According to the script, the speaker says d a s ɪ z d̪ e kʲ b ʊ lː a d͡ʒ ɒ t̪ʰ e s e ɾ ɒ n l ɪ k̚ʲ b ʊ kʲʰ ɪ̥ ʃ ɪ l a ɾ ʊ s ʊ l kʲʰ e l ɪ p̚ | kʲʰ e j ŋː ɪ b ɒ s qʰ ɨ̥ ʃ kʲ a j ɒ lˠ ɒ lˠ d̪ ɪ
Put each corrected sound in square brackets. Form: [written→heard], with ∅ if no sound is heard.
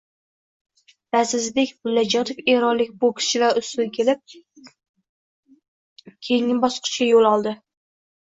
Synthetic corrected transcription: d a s ɪ z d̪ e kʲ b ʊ lː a d͡ʒ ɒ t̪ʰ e [s→f] e ɾ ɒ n l ɪ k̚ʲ b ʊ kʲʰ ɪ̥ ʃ ɪ l a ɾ ʊ s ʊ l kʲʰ e l ɪ p̚ | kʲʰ e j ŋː ɪ b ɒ s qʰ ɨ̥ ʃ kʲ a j [ɒ→o] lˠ ɒ lˠ d̪ ɪ